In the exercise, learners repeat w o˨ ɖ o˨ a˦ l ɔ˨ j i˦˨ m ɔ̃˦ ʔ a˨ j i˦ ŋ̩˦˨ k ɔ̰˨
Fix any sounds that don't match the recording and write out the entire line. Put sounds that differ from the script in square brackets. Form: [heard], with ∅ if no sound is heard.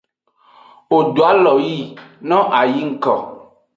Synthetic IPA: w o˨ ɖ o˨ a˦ l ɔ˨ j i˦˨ [n] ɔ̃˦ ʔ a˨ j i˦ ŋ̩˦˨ k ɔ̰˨